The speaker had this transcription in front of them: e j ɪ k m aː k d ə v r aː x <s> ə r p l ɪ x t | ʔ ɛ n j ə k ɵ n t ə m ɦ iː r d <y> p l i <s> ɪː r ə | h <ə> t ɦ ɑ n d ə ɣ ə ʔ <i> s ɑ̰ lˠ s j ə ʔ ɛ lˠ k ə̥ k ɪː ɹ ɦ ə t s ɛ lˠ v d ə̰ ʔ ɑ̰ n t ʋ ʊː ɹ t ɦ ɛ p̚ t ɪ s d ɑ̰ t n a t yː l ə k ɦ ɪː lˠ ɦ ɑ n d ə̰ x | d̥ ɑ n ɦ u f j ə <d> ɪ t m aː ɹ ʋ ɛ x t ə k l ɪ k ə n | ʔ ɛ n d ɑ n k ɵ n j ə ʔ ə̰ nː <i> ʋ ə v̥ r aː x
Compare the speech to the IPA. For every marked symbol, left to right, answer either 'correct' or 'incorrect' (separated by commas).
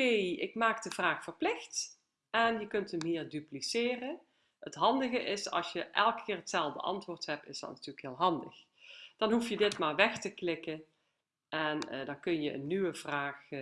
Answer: incorrect, correct, correct, correct, incorrect, correct, incorrect